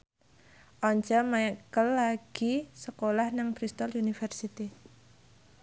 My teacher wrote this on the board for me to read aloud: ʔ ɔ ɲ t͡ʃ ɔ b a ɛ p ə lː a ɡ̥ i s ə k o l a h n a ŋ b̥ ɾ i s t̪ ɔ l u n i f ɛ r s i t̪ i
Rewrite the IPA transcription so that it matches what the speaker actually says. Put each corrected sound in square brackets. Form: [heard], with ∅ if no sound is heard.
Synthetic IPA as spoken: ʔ ɔ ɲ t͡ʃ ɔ [m] a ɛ [k] ə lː a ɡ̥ i s ə k o l a h n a ŋ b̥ ɾ i s t̪ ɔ l u n i f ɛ r s i t̪ i